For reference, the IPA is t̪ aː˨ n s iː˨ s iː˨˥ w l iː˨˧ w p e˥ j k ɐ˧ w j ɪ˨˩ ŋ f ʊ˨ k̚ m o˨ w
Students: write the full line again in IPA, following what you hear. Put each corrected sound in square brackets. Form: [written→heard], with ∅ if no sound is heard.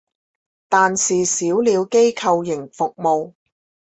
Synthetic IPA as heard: t̪ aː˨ n s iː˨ s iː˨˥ w l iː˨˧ w [p→k] e˥ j [k→kʰ] ɐ˧ w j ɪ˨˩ ŋ f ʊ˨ k̚ m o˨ w